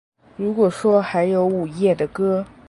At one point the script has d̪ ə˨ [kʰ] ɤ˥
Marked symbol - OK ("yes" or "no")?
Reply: no